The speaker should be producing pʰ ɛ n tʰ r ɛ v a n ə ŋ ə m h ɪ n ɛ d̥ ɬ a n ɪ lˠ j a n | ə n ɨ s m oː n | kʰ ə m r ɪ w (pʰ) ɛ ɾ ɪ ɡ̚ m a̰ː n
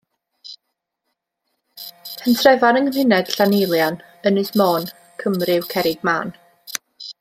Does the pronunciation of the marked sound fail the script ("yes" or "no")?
yes